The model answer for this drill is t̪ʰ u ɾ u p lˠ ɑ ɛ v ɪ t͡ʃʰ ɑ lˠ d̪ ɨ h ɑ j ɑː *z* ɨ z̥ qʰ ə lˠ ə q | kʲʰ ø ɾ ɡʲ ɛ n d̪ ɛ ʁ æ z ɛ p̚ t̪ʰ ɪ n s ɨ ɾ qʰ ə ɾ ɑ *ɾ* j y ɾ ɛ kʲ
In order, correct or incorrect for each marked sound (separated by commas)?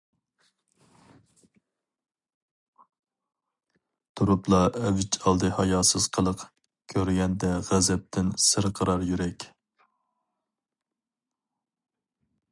incorrect, correct